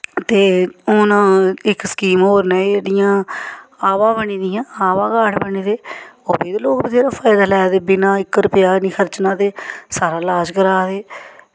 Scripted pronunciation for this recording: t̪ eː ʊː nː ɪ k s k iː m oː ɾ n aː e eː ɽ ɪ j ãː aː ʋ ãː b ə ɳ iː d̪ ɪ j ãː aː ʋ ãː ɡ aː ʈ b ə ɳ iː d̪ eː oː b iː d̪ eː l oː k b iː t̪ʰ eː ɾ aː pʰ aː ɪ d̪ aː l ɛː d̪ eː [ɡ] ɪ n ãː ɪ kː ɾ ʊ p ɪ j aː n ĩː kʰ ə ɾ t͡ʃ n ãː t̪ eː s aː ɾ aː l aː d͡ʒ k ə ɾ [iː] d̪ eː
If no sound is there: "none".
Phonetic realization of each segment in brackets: b, aː

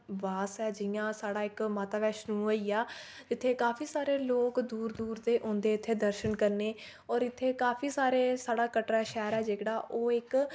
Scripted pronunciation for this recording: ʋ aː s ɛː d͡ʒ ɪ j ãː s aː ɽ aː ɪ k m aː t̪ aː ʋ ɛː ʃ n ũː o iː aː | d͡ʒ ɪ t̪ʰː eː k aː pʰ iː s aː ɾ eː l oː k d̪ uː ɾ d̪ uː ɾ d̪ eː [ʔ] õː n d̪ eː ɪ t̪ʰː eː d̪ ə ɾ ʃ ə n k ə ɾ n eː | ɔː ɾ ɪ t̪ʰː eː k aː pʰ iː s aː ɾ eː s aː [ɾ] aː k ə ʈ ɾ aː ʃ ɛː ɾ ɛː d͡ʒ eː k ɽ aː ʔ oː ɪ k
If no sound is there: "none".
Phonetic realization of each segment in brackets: ʔ, ɽ

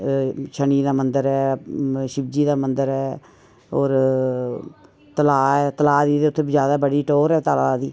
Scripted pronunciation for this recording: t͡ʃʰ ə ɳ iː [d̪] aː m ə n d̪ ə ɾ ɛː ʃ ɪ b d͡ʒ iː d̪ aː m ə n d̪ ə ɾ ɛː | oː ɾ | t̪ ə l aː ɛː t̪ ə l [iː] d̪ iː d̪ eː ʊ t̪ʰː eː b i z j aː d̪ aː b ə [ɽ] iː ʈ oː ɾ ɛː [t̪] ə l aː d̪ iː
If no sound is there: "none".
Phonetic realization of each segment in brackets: d̪, aː, ɽ, t̪

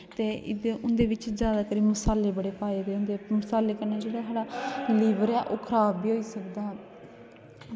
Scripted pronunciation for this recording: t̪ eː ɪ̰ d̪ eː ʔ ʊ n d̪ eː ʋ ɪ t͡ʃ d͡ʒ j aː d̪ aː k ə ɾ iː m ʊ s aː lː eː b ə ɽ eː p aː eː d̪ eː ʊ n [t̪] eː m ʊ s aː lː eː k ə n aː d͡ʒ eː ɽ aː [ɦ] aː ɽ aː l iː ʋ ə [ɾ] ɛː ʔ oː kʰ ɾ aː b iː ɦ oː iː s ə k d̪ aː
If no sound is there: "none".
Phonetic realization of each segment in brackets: d̪, ɦ, ɾ

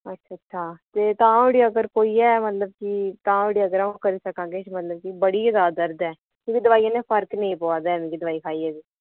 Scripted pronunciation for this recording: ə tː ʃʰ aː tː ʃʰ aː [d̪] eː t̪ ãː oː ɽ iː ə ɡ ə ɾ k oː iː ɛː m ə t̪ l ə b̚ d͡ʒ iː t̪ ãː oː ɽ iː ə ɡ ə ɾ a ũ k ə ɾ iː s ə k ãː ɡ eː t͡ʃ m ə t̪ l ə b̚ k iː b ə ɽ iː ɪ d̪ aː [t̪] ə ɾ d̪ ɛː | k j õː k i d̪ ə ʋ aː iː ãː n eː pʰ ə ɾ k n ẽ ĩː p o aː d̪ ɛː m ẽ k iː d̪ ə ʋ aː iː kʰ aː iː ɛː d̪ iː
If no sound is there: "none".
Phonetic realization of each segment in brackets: t̪, d̪

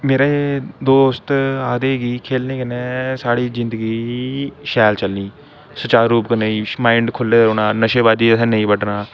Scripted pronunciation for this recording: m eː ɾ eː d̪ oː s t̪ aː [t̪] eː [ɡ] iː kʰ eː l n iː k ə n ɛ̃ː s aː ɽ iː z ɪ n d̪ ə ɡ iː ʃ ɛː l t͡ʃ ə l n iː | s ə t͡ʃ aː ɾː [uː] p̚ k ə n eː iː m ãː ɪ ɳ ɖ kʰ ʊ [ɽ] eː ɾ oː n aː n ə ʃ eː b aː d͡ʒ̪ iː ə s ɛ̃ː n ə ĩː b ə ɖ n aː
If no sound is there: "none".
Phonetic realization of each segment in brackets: d̪, ɡ, uː, l

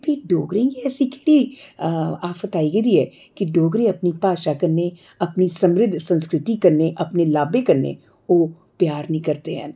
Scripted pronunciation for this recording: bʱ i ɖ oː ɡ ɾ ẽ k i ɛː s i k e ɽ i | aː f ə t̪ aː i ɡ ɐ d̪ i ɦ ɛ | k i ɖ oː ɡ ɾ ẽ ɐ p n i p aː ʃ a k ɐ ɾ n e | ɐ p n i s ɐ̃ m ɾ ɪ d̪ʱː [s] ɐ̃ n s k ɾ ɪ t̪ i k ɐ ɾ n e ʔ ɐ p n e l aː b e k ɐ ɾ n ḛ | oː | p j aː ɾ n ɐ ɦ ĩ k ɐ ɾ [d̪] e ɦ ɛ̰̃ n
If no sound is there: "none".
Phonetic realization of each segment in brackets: s, t̪

